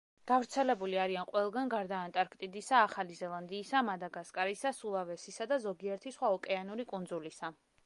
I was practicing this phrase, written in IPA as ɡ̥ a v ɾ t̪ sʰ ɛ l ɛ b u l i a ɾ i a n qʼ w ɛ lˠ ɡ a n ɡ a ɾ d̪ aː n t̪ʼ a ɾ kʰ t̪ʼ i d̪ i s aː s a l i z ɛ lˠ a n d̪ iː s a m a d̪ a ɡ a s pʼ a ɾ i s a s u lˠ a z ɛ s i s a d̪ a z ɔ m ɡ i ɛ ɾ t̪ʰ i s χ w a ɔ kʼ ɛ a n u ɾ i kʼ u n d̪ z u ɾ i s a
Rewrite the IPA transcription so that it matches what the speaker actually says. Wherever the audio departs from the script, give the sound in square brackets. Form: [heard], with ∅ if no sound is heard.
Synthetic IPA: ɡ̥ a v ɾ t̪ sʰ ɛ l ɛ b u l i a ɾ i a n qʼ w ɛ lˠ ɡ a n ɡ a ɾ d̪ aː n t̪ʼ a ɾ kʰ t̪ʼ i d̪ i s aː [χ] a l i z ɛ lˠ a n d̪ iː s a m a d̪ a ɡ a s [kʼ] a ɾ i s a s u lˠ a [v] ɛ s i s a d̪ a z ɔ [∅] ɡ i ɛ ɾ t̪ʰ i s χ w a ɔ kʼ ɛ a n u ɾ i kʼ u n d̪ z u [l] i s a